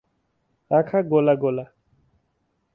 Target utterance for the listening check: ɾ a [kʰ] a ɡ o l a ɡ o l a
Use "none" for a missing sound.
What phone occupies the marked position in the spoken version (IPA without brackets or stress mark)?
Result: kʰ